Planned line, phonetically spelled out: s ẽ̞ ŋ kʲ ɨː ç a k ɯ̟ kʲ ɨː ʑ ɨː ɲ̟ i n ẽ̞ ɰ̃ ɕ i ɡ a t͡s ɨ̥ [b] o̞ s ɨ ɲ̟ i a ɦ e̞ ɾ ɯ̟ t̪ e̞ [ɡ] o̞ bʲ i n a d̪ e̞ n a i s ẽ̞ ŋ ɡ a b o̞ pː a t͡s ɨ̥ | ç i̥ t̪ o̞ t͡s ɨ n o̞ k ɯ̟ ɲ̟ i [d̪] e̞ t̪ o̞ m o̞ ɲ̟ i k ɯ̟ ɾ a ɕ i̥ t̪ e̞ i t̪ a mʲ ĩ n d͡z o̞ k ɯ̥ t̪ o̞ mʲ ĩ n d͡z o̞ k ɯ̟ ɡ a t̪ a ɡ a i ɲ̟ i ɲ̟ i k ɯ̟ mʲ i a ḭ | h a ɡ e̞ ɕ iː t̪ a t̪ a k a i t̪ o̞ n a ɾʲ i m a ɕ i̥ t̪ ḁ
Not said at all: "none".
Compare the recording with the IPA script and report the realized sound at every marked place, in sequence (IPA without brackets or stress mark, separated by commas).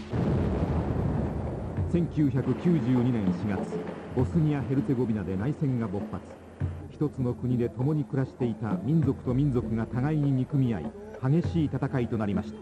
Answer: b, ɡ, d̪